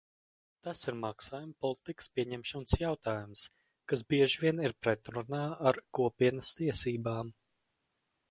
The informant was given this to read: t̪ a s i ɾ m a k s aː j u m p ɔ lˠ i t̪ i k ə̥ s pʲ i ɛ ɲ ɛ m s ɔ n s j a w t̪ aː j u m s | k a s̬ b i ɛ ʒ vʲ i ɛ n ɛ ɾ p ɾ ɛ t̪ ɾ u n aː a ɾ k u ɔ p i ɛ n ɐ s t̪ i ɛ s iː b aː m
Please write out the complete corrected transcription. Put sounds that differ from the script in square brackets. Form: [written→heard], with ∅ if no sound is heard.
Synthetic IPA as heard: t̪ a s i ɾ m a k s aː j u m p ɔ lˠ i t̪ i k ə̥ s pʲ i ɛ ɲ ɛ m [s→ʃ] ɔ n s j a w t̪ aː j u m s | k a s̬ b i ɛ ʒ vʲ i ɛ n [ɛ→i] ɾ p ɾ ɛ t̪ ɾ u n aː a ɾ k u ɔ p i ɛ n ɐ s t̪ i ɛ s iː b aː m